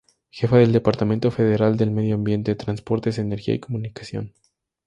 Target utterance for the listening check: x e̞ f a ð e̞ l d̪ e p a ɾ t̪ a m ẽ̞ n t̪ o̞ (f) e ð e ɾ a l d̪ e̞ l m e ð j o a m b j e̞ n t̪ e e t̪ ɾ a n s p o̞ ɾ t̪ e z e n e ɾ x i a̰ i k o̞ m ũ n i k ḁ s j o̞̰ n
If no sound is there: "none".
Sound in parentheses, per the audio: f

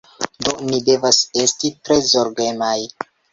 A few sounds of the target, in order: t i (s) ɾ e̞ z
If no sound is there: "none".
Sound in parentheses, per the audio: t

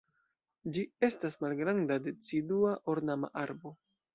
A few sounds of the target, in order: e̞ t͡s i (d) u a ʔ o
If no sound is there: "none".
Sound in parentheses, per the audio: d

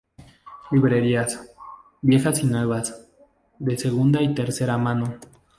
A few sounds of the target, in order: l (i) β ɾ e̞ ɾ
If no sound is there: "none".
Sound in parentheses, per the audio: i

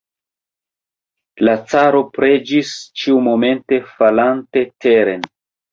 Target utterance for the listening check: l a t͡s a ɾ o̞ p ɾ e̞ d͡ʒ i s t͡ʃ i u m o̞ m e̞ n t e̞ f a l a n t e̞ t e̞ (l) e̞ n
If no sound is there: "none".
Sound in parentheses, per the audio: ɾ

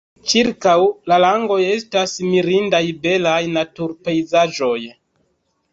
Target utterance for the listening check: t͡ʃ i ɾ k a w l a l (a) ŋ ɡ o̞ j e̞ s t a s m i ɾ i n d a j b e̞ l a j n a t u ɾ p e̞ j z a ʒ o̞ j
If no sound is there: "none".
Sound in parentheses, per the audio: a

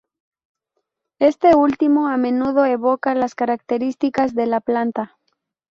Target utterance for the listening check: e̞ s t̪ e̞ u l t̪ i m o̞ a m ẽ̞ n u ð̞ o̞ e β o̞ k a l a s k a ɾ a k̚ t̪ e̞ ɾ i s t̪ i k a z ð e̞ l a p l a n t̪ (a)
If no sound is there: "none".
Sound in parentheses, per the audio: a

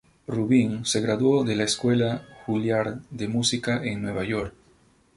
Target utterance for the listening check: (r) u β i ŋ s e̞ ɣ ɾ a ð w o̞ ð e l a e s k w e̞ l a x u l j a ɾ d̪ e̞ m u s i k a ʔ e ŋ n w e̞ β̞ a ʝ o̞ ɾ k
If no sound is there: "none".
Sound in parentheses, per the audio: r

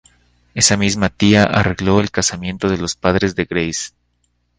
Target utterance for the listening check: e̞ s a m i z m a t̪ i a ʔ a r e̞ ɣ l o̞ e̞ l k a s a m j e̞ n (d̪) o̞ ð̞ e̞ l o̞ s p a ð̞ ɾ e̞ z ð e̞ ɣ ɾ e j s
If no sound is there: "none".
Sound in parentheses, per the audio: t̪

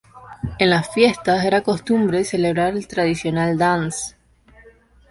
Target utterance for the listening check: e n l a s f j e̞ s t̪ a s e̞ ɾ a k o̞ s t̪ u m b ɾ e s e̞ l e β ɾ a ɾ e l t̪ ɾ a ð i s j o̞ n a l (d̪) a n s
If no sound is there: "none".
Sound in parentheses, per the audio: d̪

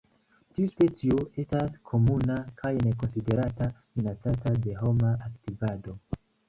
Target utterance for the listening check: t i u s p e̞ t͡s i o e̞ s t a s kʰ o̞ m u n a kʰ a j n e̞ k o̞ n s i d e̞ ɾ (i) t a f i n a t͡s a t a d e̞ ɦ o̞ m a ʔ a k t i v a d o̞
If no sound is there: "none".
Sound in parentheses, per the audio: a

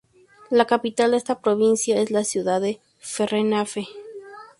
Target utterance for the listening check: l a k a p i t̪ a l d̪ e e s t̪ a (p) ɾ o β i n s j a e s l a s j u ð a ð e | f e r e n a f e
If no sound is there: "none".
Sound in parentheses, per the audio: p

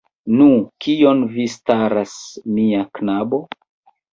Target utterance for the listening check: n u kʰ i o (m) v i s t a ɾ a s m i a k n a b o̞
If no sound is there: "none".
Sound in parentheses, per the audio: n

